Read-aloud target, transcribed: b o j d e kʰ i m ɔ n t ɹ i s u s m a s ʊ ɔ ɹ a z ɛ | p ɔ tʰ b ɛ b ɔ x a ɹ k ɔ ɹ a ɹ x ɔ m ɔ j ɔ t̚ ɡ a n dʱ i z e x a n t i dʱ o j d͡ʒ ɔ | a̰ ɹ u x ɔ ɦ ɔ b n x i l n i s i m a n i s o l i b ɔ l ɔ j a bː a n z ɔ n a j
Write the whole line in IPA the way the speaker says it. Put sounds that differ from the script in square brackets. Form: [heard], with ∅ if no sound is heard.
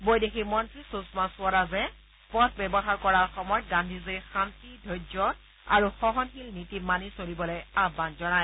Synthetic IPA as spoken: b o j d e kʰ i m ɔ n t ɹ i s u s m a s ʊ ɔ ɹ a z ɛ | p ɔ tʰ b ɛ b ɔ x a ɹ k ɔ ɹ a ɹ x ɔ m ɔ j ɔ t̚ ɡ a n dʱ i z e x a n t i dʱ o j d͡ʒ ɔ | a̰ ɹ u x ɔ ɦ ɔ [∅] n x i l n i [t] i m a n i s o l i b ɔ l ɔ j a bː a n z ɔ n a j

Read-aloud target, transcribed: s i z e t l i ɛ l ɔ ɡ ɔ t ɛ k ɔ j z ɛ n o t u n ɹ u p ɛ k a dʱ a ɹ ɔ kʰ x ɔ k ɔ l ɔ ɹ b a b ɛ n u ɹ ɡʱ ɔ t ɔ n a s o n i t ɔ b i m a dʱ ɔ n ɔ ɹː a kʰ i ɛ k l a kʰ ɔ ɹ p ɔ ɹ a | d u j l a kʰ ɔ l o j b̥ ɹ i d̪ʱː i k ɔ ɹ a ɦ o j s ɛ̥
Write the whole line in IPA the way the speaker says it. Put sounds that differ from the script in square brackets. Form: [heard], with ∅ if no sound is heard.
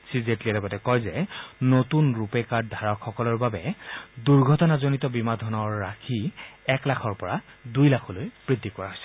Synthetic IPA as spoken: s i z e t l i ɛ l ɔ ɡ ɔ t ɛ k ɔ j z ɛ n o t u n ɹ u p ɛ k a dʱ a ɹ ɔ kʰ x ɔ k ɔ l ɔ ɹ b a b ɛ [d] u ɹ ɡʱ ɔ t ɔ n a [z] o n i t ɔ b i m a dʱ ɔ n ɔ ɹː a kʰ i ɛ k l a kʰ ɔ ɹ p ɔ ɹ a | d u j l a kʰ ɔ l o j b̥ ɹ i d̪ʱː i k ɔ ɹ a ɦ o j s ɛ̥

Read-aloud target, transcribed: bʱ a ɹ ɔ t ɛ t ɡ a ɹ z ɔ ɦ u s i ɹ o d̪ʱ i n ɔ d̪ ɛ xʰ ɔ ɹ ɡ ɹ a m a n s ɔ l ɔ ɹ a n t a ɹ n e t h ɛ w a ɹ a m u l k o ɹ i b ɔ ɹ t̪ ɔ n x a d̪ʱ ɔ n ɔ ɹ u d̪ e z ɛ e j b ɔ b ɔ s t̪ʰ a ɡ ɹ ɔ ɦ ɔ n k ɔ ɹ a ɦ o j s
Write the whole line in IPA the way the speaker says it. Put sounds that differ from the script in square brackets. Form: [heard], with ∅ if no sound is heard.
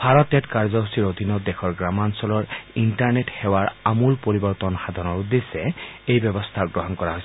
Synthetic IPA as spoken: bʱ a ɹ ɔ t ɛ t [k] a ɹ z ɔ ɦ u s i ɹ o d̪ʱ i n ɔ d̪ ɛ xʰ ɔ ɹ ɡ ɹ a m a n s ɔ l ɔ ɹ [i] n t a ɹ n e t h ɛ w a ɹ a m u l [p] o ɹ i b ɔ ɹ t̪ ɔ n x a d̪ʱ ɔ n ɔ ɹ u d̪ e [s] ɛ e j b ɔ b ɔ s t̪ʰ a ɡ ɹ ɔ ɦ ɔ n k ɔ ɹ a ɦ o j s

